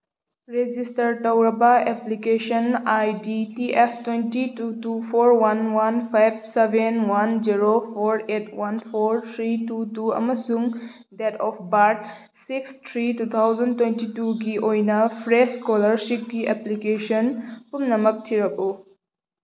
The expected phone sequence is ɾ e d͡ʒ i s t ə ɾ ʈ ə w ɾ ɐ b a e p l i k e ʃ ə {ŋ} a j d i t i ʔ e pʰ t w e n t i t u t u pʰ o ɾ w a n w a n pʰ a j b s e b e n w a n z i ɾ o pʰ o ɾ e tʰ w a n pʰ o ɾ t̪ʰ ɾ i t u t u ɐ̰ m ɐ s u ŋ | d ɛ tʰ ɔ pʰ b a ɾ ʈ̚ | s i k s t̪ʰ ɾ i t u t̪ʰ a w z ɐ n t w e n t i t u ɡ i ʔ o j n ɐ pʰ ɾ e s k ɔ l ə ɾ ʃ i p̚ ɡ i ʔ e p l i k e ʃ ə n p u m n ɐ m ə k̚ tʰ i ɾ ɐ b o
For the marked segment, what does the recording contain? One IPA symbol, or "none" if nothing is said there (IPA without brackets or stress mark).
n